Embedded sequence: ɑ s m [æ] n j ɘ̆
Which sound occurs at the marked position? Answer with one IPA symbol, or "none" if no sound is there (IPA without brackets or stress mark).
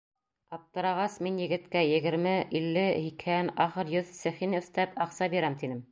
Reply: i